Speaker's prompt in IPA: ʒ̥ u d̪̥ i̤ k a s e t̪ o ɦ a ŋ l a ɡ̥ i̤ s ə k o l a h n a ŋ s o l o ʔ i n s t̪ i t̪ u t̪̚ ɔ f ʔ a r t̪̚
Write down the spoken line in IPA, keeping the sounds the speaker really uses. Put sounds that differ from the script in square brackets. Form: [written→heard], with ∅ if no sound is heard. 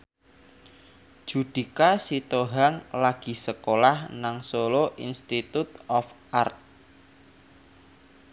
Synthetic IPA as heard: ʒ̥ u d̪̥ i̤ k a s [e→i] t̪ o ɦ a ŋ l a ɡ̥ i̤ s ə k o l a h n a ŋ s o l o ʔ i n s t̪ i t̪ u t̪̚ ɔ f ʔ a r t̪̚